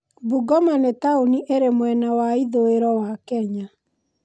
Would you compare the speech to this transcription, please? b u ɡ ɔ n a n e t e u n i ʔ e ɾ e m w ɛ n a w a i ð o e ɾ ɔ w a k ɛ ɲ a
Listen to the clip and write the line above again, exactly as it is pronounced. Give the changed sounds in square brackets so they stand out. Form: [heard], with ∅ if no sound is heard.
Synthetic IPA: b u ɡ ɔ [m] a n e t [a] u n i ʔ e ɾ e m w ɛ n a w a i ð o e ɾ ɔ w a k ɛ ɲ a